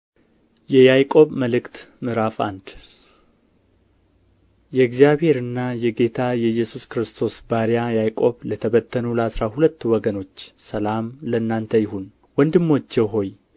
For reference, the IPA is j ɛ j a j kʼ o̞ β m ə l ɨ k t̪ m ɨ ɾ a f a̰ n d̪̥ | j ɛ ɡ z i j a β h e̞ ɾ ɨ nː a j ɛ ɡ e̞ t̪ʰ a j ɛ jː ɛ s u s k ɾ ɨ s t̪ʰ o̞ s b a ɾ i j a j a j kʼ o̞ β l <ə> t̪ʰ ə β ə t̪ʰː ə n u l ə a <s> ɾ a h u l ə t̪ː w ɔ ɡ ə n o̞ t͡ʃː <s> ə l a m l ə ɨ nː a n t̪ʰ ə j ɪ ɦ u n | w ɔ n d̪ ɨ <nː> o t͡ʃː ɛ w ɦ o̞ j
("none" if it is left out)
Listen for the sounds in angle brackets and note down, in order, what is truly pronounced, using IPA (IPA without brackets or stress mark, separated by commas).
ə, s, s, mː